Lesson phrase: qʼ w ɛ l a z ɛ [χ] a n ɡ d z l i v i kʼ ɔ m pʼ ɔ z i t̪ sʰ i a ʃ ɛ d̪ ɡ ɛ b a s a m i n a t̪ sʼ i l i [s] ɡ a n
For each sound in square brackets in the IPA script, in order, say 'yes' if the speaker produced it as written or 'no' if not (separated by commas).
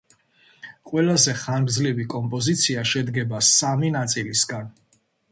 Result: yes, yes